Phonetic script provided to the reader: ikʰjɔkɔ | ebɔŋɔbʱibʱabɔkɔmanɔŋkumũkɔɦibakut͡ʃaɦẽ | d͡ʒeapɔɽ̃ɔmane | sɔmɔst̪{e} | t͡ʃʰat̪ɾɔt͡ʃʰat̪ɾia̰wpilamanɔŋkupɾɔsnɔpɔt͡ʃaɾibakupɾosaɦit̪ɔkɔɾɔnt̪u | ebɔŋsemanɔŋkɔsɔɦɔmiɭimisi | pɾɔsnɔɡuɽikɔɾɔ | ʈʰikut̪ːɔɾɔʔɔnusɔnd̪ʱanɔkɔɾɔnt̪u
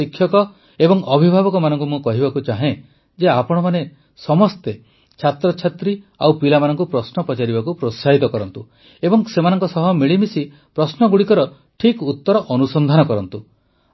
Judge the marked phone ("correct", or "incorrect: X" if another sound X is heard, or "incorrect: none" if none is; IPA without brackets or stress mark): correct